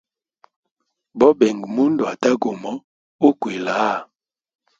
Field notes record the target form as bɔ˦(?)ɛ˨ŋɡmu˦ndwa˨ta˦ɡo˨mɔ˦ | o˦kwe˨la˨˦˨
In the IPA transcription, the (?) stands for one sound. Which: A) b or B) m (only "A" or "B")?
A